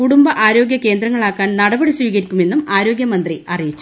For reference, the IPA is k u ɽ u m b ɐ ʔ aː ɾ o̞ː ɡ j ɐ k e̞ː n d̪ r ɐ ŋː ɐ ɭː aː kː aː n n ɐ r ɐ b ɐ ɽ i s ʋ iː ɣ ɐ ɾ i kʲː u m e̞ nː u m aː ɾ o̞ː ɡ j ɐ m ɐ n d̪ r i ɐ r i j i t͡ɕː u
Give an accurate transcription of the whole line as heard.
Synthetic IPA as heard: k u ɽ u m b ɐ ʔ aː ɾ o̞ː ɡ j ɐ k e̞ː n d̪ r ɐ ŋː ɐ ɭ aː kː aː n n ɐ ɽ ɐ b ɐ ɽ i s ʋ iː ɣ ɐ ɾ i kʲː u m e̞ nː u m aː ɾ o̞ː ɡ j ɐ m ɐ n d̪ r i ɐ r i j i t͡ɕː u